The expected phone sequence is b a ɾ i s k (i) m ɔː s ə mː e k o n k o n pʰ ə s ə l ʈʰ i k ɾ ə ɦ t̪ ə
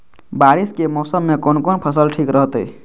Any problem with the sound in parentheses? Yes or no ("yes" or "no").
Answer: yes